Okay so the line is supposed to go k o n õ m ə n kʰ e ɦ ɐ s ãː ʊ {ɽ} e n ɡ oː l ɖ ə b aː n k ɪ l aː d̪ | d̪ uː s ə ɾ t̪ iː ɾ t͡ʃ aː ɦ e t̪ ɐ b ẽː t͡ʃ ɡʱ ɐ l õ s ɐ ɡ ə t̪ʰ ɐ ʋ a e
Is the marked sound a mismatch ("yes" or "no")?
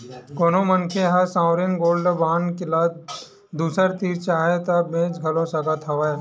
yes